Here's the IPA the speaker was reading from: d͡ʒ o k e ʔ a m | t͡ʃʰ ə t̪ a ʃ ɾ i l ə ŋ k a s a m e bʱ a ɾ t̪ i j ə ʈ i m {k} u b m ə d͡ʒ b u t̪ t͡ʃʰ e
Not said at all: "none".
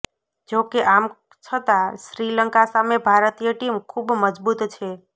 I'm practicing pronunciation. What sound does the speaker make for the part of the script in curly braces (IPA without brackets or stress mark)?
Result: kʰ